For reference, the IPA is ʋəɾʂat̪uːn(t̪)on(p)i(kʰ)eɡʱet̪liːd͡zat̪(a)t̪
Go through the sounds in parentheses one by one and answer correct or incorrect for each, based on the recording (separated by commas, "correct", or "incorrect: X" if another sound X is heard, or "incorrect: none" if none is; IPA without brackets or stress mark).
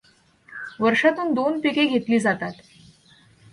incorrect: d̪, correct, incorrect: k, correct